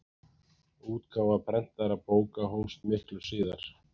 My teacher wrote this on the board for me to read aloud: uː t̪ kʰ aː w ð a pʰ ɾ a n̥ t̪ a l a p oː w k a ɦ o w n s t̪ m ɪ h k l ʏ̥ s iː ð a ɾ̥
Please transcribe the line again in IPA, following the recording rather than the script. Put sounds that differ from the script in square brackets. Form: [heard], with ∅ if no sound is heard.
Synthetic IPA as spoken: uː t̪ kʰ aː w [v] a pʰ ɾ [ɛ] n̥ t̪ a [ɾ] a p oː w k a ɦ o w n s t̪ m ɪ h k l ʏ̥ s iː ð a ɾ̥